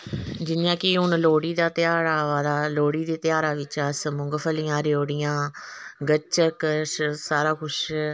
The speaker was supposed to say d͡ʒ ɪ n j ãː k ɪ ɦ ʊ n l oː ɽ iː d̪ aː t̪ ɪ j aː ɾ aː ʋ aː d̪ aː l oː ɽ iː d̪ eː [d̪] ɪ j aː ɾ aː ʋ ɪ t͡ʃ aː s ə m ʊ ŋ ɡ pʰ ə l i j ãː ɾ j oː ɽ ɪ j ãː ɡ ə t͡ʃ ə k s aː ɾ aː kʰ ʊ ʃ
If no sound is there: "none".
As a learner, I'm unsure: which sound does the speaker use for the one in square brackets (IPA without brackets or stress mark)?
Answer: t̪